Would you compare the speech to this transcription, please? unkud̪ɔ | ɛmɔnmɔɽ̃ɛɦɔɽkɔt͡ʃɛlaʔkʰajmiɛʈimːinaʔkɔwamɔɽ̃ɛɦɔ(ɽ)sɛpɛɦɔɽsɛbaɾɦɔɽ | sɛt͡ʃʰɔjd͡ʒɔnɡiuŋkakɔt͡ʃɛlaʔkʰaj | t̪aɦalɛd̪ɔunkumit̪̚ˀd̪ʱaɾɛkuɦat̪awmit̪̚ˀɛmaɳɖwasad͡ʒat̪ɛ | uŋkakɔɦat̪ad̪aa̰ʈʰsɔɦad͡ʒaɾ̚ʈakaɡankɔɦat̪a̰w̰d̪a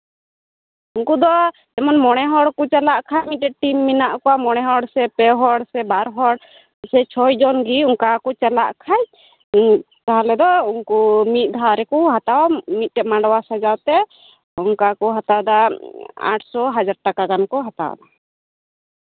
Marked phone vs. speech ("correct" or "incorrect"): correct